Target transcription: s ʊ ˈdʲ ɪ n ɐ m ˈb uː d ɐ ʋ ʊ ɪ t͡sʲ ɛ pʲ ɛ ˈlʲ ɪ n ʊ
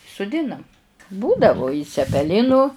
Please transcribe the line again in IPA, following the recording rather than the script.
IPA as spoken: s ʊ ˈdʲ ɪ n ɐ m ˈb uː d ɐ ʋ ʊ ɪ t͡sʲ ɛ pʲ ɛ ˈlʲ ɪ n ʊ